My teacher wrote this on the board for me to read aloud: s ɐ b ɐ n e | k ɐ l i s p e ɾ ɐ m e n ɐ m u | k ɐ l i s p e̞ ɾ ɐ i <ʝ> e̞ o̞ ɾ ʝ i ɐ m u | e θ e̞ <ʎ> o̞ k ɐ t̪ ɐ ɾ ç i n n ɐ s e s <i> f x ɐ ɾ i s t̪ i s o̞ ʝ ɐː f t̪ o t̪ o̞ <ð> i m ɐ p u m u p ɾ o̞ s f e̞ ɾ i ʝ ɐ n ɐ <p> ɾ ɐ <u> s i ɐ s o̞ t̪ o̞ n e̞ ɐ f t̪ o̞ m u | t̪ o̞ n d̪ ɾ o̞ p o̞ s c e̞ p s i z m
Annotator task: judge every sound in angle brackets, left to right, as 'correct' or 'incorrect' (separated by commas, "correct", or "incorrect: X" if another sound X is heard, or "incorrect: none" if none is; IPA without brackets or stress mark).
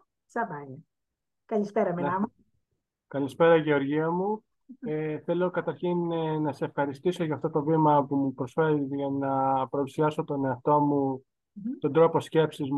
correct, incorrect: l, incorrect: e, incorrect: v, correct, correct